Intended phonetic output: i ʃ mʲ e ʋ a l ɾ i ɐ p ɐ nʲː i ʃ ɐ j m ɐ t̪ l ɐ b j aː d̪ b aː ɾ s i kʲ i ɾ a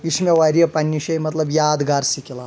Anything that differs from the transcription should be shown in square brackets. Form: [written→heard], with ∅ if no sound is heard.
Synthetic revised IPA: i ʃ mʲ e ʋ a [l→∅] ɾ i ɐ p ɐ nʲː i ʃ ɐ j m ɐ t̪ l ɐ b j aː d̪ [b→ɡ] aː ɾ s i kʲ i [ɾ→l] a